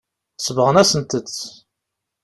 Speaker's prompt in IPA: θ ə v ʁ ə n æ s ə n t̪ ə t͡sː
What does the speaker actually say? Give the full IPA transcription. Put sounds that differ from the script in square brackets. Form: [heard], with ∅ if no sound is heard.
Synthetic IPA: [s] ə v ʁ ə n æ s ə n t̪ ə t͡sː